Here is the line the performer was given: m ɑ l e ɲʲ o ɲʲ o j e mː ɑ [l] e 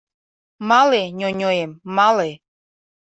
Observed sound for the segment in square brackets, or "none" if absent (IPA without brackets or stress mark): l